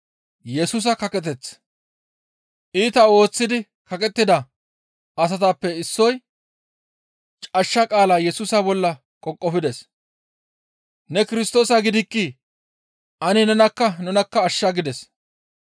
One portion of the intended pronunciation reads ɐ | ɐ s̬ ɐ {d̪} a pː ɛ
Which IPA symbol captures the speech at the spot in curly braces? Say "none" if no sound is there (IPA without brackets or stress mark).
t̪